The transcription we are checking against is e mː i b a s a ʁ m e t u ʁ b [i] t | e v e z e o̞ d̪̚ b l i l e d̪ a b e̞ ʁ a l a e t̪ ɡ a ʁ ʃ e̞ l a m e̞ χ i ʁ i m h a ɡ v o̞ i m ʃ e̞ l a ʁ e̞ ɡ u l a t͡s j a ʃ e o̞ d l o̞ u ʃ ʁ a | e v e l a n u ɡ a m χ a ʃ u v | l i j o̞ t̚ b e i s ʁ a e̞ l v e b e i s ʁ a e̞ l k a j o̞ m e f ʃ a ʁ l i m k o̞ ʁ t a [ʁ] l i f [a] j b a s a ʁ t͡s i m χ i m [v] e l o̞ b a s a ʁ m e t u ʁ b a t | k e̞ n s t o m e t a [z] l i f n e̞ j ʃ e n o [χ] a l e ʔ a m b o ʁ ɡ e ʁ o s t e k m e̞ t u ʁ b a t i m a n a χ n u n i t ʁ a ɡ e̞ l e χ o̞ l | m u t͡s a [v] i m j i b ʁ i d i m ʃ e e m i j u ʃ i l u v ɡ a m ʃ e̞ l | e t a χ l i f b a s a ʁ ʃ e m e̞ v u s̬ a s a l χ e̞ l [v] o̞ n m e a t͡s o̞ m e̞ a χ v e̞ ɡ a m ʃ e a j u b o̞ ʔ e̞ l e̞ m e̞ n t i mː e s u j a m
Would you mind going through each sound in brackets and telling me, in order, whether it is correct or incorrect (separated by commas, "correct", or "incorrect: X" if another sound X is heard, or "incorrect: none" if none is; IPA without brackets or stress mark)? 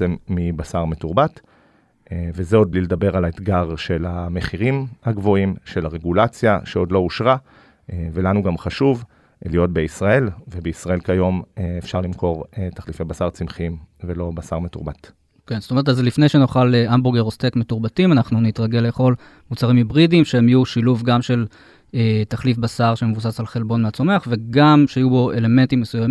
incorrect: a, incorrect: χ, incorrect: e, correct, correct, correct, incorrect: ʁ, incorrect: b